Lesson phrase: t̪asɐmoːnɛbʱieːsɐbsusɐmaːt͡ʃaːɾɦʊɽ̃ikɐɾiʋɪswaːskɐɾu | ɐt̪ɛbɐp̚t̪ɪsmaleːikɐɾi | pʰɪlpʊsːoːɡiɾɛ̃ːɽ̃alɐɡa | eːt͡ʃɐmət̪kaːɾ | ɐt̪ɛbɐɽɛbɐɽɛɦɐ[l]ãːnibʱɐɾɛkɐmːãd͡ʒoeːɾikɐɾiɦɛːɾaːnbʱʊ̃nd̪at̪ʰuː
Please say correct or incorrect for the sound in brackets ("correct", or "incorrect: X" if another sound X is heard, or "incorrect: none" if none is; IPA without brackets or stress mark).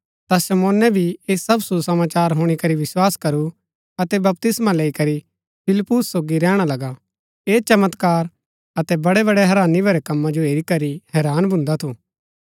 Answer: incorrect: ɾ